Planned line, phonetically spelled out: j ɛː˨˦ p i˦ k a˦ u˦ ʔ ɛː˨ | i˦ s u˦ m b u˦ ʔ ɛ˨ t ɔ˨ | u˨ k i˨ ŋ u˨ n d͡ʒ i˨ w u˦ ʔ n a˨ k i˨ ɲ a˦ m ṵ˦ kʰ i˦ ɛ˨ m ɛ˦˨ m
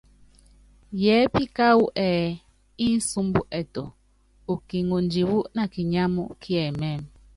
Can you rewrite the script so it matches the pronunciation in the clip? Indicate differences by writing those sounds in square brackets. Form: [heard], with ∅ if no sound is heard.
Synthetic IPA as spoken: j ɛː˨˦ p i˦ k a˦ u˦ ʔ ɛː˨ | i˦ s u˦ m b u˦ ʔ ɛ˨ t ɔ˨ | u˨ k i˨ ŋ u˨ n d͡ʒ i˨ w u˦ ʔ n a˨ k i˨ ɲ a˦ m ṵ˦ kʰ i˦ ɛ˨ m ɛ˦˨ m